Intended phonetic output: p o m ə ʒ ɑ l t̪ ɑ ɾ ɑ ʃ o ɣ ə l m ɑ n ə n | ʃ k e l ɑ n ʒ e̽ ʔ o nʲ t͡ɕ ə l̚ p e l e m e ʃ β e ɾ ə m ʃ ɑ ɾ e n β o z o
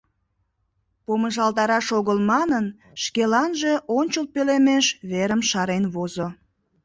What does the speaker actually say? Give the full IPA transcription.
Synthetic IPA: p o m ə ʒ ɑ l t̪ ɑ ɾ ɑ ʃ o ɣ ə l m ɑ n ə n | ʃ k e l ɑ n ʒ e̽ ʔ o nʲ t͡ɕ ə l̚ p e l e m e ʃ β e ɾ ə m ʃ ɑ ɾ e n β o z o